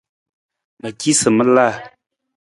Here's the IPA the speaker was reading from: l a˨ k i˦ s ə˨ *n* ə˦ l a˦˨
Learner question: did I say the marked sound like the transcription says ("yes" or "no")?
no